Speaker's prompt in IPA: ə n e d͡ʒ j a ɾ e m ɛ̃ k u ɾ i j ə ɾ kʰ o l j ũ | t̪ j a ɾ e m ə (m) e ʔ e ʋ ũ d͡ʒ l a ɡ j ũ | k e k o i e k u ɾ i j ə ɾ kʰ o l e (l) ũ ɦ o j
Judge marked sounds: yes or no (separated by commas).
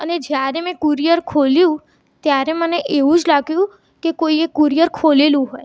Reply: no, yes